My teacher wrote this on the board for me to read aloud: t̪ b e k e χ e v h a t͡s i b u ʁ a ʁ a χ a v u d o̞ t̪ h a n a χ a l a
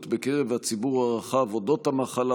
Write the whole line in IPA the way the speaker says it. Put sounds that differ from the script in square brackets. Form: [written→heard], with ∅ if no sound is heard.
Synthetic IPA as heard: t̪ b e k e [χ→ʁ] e v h a t͡s i b u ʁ a ʁ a χ a v [u→o] d o̞ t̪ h a [n→m] a χ a l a